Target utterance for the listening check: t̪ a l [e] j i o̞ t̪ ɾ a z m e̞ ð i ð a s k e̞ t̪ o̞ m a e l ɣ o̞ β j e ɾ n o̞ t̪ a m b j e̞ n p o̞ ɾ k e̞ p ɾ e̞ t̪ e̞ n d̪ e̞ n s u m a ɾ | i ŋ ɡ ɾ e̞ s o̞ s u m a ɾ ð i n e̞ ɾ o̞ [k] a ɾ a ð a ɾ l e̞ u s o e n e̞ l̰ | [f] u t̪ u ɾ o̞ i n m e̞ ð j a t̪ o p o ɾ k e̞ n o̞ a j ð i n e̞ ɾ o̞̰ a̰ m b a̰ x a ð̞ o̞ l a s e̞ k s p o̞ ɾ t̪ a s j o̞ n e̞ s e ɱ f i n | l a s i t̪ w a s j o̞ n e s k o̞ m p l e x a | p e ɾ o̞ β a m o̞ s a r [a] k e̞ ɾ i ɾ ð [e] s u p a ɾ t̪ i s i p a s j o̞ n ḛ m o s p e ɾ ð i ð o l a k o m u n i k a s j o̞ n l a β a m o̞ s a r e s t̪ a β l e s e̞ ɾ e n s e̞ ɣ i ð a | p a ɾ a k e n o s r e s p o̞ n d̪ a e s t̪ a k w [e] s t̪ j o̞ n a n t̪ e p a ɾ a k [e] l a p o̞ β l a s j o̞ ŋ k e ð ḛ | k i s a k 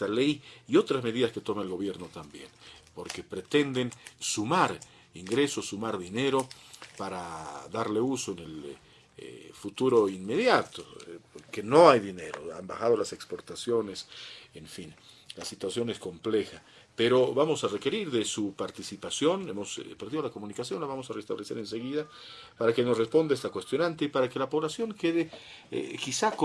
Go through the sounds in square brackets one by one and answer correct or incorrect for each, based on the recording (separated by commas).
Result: correct, incorrect, correct, incorrect, correct, correct, correct